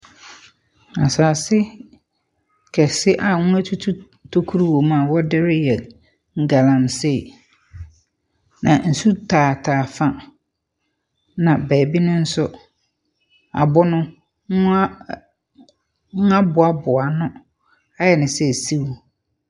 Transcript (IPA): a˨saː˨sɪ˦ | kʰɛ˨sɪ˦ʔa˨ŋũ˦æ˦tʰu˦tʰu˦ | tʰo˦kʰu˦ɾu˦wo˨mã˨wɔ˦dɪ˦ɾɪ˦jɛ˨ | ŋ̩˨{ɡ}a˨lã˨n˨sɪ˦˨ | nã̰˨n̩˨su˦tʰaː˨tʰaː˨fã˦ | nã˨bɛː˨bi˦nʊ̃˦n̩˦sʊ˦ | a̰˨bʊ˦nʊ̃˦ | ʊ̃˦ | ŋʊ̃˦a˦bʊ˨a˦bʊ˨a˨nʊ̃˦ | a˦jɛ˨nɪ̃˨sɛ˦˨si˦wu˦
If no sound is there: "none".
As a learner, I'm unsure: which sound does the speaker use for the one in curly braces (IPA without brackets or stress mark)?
ɡ